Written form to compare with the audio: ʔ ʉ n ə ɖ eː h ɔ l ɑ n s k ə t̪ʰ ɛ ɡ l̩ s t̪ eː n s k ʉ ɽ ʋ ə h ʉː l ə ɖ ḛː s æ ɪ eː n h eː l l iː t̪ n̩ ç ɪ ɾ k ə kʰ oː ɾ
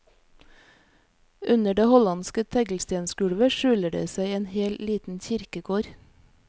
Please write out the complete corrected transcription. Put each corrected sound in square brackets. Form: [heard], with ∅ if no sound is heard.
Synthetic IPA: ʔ ʉ n ə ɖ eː h ɔ l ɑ n s k ə t̪ʰ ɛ ɡ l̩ s t̪ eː n s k ʉ ɽ ʋ ə [ʃ] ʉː l ə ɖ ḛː s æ ɪ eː n h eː l l iː t̪ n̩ ç ɪ ɾ k ə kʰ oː ɾ